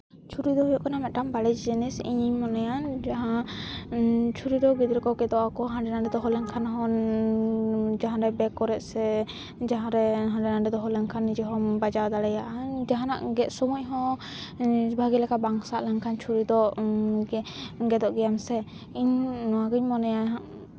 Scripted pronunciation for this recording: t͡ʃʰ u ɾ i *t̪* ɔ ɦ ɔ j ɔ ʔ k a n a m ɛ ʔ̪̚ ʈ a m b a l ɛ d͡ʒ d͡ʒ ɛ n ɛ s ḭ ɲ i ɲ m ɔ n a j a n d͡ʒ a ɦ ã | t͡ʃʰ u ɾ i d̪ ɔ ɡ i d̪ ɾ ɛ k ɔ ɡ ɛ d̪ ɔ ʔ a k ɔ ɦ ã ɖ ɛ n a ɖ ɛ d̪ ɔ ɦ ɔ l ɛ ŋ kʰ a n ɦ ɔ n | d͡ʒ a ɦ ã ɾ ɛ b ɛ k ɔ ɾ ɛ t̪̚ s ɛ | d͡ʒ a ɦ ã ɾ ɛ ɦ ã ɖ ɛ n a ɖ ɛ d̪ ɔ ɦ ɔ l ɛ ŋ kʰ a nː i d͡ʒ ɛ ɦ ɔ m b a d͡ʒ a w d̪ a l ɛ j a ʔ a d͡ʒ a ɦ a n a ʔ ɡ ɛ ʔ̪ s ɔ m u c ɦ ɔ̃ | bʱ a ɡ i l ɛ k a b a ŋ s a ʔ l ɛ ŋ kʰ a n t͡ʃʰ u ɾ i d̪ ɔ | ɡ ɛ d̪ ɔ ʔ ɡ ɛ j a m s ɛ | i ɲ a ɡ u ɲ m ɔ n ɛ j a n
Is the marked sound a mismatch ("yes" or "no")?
yes